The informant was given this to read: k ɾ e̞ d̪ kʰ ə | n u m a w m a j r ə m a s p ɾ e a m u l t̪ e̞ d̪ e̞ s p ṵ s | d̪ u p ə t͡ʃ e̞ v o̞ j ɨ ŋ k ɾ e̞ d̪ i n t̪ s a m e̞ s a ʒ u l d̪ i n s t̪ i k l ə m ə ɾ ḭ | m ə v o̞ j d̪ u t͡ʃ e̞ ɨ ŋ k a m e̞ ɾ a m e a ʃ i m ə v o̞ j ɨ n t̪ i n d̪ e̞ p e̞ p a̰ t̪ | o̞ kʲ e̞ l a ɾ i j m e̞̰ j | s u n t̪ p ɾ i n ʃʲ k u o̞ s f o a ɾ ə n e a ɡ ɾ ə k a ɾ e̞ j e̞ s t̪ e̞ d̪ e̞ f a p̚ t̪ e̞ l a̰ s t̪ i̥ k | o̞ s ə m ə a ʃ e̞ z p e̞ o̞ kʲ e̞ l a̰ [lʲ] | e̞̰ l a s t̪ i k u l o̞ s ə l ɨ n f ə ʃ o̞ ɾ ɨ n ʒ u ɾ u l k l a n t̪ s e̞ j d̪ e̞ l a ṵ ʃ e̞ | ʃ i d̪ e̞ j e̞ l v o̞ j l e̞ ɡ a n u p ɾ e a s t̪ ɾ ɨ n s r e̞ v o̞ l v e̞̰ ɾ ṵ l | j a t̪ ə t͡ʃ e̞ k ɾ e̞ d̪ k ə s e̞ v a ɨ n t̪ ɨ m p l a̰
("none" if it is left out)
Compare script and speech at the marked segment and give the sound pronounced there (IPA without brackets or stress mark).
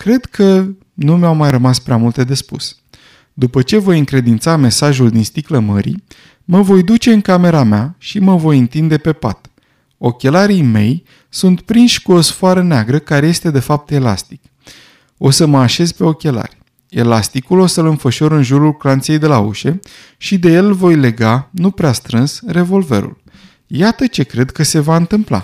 rʲ